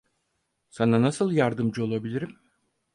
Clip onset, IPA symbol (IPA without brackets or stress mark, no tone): s